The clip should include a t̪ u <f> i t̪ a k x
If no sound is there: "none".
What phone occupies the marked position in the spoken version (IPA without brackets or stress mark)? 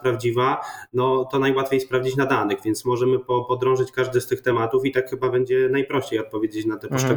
f